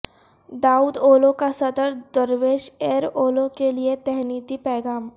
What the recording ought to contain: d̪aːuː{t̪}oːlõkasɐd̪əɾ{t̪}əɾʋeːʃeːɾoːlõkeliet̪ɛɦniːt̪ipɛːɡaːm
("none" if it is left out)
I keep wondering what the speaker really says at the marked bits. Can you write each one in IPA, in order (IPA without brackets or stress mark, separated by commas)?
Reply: d̪, d̪